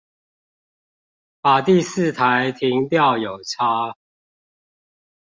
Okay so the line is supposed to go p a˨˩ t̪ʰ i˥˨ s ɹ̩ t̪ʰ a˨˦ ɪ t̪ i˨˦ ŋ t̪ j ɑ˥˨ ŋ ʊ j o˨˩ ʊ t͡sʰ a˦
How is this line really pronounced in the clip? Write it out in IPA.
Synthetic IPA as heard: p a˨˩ t̪ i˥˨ s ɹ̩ t̪ʰ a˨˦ ɪ t̪ʰ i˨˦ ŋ t̪ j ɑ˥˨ ʊ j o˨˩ ʊ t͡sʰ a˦